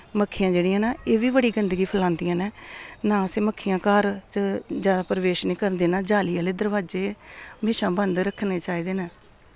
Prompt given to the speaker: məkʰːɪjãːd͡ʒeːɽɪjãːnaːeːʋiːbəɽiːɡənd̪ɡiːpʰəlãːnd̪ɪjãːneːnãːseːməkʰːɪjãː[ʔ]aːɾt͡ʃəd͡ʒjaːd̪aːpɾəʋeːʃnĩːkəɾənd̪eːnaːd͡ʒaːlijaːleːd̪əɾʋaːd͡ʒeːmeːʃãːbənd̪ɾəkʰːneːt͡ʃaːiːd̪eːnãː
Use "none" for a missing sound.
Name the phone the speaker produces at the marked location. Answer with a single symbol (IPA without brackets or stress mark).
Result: k